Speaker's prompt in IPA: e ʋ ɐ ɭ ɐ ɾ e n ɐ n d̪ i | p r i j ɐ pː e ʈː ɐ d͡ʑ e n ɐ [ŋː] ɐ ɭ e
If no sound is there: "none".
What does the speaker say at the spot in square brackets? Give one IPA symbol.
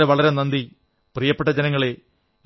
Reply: ŋː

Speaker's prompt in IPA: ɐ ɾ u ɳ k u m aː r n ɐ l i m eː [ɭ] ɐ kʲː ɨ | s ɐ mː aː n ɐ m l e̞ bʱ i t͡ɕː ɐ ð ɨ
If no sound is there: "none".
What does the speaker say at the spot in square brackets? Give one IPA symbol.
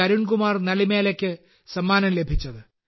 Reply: l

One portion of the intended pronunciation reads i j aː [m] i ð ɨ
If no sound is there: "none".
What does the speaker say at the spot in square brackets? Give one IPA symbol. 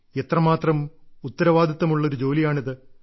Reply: ɳ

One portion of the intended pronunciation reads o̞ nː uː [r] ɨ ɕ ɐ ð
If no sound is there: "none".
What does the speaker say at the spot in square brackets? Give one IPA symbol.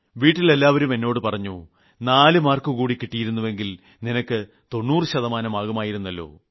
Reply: r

